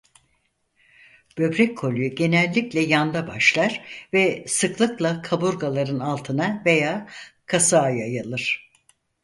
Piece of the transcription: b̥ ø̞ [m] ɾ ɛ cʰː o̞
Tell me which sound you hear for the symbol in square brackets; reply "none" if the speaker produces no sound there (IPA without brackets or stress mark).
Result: b